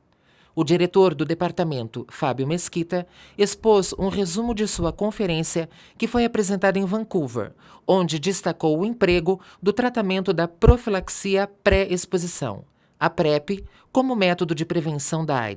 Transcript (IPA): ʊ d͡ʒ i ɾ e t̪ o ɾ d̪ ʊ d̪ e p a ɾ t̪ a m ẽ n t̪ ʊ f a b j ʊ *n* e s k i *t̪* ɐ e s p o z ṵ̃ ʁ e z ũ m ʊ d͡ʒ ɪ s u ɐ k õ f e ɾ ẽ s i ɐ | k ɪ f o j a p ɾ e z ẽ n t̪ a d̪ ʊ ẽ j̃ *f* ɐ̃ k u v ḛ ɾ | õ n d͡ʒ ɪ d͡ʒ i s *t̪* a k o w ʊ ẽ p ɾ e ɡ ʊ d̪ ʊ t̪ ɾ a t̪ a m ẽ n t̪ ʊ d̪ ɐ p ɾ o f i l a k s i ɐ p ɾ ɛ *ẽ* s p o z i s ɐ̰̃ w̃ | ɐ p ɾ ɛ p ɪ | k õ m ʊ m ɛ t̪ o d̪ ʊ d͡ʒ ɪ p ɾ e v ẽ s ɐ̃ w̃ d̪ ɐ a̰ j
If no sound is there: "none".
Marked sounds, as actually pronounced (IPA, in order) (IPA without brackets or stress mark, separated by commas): m, t̪, v, t̪, e